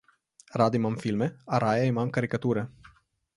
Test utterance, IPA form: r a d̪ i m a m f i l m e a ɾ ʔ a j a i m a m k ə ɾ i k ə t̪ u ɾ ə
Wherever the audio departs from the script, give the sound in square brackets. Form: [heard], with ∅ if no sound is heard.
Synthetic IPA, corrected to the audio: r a d̪ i m a m f i l m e a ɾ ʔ a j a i m a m k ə ɾ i k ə t̪ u ɾ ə

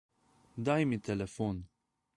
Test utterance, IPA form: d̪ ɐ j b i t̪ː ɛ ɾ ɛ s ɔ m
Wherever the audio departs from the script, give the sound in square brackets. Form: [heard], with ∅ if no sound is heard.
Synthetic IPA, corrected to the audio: d̪ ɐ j [m] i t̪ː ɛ [l] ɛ [f] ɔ [n]

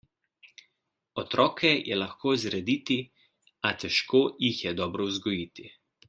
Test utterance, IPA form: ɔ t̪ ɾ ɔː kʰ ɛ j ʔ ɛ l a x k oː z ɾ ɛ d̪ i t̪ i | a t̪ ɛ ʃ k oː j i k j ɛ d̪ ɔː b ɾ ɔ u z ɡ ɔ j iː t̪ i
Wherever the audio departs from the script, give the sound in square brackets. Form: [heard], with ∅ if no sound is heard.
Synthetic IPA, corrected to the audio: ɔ t̪ ɾ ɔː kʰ ɛ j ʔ ɛ l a x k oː z ɾ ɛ d̪ i t̪ i | a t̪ ɛ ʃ k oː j i [x] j ɛ d̪ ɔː b ɾ ɔ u z ɡ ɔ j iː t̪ i

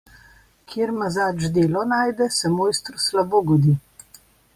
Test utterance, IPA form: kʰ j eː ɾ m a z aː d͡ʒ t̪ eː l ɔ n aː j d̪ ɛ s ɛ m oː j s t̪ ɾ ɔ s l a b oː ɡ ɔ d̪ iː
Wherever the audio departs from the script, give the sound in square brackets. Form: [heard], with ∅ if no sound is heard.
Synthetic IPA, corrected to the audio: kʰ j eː ɾ m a z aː d͡ʒ [d̪] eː l ɔ n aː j d̪ ɛ s ɛ m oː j s t̪ ɾ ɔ s l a b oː ɡ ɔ d̪ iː

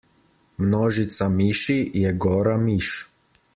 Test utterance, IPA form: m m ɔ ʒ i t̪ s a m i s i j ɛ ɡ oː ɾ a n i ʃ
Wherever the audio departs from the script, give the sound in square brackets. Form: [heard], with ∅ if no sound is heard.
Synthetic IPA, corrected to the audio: m [n] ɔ ʒ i t̪ s a m i [ʃ] i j ɛ ɡ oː ɾ a [m] i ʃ

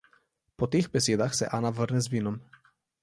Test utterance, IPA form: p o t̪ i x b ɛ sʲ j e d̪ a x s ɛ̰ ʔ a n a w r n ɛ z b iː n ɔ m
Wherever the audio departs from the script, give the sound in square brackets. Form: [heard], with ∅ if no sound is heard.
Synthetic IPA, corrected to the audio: p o t̪ i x b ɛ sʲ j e d̪ a x s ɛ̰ ʔ a n a [v] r n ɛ z [v] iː n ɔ m

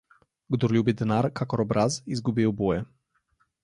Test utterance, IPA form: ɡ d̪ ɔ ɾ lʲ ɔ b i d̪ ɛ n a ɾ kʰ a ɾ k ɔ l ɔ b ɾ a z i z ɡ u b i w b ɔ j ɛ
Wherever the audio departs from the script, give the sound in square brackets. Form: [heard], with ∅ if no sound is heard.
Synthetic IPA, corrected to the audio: ɡ d̪ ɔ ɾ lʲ [u] b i d̪ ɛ n a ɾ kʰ a [∅] k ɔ [ɾ] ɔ b ɾ a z i z ɡ u b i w b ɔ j ɛ

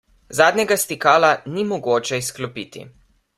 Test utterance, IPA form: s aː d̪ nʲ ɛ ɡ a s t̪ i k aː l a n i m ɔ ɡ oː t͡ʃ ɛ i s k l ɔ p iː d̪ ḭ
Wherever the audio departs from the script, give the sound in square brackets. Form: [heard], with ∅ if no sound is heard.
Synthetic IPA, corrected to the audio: [z] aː d̪ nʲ ɛ ɡ a s t̪ i k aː l a n i m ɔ ɡ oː t͡ʃ ɛ i s k l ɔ p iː [t̪] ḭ

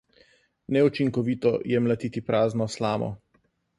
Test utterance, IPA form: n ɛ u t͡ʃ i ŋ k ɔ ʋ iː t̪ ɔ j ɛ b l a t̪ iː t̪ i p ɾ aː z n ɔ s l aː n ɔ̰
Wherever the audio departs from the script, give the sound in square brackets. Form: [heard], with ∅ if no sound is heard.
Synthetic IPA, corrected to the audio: n ɛ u t͡ʃ i ŋ k ɔ ʋ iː t̪ ɔ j ɛ [m] l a t̪ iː t̪ i p ɾ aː z n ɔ s l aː [m] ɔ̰

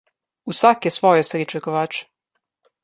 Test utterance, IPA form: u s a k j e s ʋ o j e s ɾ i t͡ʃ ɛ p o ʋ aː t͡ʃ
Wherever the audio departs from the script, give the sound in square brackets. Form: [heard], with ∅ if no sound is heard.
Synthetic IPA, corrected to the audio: u s a k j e s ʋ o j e s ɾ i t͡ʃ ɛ [k] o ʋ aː t͡ʃ

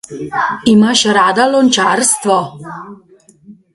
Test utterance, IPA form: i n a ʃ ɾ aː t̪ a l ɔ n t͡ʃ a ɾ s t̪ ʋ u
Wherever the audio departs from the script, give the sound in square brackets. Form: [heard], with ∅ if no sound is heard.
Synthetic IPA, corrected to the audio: i [m] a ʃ ɾ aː [d̪] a l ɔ n t͡ʃ a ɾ s t̪ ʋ [ɔ]

